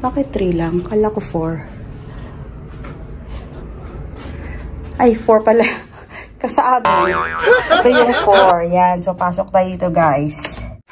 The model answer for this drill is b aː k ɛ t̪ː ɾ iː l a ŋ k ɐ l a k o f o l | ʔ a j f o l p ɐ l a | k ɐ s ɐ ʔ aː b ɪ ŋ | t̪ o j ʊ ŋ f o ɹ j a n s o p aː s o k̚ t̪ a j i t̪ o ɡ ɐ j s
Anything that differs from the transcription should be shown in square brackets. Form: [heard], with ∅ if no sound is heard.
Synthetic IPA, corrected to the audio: b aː k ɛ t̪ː ɾ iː l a ŋ k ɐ l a k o f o [ɹ] | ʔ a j f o [ɹ] p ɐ l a | k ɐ s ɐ ʔ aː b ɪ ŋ | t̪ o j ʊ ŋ f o ɹ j a n s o p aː s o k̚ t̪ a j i t̪ o ɡ [a] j s